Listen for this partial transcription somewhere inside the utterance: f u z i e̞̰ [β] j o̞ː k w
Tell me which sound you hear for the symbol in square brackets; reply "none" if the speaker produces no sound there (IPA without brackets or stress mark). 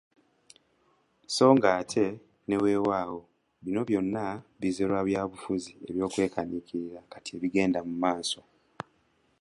β